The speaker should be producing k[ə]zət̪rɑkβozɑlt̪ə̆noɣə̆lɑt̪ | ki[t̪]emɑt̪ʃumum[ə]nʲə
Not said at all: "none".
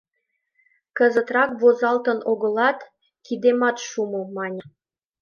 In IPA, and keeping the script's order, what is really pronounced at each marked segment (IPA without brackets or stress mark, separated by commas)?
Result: ə, d̪, ɑ